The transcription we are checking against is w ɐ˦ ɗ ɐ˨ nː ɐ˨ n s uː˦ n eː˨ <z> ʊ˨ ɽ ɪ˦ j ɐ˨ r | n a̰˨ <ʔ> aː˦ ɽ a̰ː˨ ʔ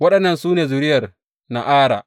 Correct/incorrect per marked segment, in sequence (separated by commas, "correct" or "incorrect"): correct, correct